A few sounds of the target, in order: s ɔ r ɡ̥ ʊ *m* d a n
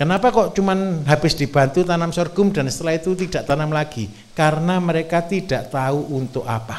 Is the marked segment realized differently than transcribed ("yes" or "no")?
no